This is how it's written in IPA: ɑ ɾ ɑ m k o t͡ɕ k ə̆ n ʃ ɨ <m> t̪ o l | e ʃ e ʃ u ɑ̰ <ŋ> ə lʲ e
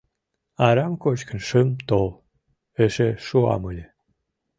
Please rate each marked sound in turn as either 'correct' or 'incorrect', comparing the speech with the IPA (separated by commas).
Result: correct, incorrect